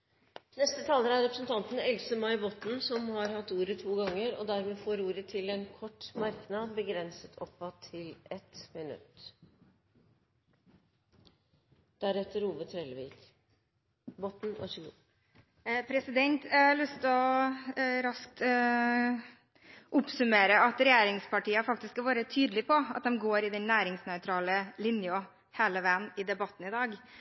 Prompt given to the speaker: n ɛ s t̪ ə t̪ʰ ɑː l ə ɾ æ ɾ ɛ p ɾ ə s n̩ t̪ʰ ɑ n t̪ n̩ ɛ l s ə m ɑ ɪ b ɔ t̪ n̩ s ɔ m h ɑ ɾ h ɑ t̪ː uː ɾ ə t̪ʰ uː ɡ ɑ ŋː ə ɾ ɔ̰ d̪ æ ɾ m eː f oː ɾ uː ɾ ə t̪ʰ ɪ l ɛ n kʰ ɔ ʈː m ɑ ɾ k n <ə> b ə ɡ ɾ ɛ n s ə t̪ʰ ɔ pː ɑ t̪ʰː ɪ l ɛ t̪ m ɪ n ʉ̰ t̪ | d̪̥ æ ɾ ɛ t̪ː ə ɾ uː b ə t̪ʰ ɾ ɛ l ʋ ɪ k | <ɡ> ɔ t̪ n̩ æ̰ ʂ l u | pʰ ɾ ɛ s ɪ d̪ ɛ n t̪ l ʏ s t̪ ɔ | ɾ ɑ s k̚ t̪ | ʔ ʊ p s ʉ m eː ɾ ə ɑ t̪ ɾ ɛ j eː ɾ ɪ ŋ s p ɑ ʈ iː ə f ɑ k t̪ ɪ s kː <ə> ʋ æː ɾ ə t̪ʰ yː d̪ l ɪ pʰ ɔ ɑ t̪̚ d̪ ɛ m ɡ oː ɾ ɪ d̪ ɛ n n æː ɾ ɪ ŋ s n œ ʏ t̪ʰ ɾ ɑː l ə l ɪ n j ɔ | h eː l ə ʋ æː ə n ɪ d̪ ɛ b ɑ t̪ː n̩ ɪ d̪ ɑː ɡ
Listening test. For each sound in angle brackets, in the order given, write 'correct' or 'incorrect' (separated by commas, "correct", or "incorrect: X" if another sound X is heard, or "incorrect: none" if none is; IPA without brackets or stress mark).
incorrect: ɑ, incorrect: b, incorrect: ɑ